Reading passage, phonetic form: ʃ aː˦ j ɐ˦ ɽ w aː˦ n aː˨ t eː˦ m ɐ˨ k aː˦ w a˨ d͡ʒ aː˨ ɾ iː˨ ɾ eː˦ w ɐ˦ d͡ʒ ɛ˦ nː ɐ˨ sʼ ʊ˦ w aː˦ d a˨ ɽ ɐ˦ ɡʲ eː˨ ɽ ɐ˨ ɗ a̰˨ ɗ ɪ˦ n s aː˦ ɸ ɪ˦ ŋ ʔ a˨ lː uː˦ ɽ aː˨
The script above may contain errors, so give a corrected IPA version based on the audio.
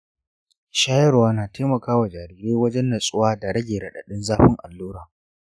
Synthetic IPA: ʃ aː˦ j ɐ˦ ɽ w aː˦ n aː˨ t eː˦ m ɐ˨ k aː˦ w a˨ d͡ʒ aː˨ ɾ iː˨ ɾ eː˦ w ɐ˦ d͡ʒ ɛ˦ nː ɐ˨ sʼ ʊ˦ w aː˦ d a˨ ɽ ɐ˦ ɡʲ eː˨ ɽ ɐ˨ ɗ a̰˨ ɗ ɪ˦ n z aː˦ ɸ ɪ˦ ŋ ʔ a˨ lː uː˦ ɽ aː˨